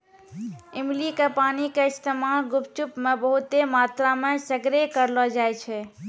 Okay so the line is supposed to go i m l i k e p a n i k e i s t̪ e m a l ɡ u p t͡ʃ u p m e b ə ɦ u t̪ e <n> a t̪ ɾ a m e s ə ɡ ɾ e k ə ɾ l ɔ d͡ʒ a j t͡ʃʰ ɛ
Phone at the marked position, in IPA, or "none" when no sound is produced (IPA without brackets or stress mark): m